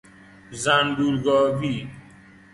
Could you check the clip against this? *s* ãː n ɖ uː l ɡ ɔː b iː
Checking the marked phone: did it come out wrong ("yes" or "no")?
yes